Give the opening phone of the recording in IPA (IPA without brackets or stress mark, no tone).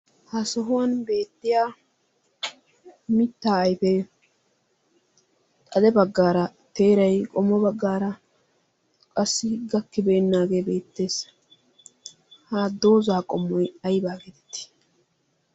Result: h